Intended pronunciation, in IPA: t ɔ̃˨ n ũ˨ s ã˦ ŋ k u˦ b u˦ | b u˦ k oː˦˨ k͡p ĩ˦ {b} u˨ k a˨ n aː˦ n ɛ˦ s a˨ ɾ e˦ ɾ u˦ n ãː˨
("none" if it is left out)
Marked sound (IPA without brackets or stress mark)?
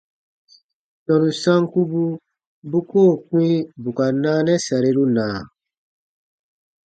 b